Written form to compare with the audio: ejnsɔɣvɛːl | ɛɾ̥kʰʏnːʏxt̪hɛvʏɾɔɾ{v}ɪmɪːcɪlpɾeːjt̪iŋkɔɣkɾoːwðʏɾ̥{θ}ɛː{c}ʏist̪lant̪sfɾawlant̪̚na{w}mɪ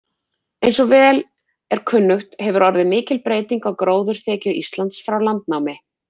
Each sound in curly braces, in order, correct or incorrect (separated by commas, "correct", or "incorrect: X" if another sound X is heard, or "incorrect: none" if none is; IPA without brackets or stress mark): incorrect: ð, correct, correct, correct